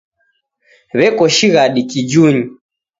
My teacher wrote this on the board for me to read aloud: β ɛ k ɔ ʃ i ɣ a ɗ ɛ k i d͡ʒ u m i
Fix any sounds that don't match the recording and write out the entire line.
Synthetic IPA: β ɛ k ɔ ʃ i ɣ a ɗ i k i d͡ʒ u ɲ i